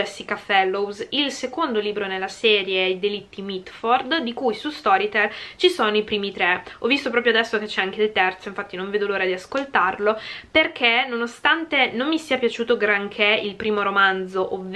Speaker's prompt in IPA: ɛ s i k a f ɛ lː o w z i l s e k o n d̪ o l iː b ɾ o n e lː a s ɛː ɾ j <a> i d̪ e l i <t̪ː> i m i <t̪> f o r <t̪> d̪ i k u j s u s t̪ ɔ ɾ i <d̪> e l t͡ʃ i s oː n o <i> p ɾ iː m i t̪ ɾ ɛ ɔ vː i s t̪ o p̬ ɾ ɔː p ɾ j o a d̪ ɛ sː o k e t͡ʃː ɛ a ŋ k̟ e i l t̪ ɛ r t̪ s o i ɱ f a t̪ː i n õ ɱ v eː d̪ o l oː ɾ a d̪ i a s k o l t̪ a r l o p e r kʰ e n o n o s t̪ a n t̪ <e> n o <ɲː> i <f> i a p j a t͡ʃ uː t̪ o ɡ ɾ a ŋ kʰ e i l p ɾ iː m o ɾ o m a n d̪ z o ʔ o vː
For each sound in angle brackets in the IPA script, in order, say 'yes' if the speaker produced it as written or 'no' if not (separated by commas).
no, yes, yes, no, no, yes, yes, no, no